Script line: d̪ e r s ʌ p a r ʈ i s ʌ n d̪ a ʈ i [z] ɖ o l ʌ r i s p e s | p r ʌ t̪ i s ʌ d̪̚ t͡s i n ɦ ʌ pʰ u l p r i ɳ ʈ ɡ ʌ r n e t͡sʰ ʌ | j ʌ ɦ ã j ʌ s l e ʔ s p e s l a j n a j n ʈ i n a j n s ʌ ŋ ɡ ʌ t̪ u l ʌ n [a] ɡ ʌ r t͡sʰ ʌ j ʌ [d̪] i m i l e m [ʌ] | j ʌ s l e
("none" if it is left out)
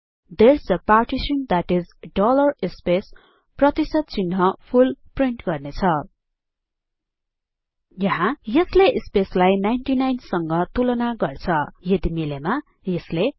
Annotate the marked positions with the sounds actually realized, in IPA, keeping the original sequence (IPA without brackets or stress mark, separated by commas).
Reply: z, a, d̪, a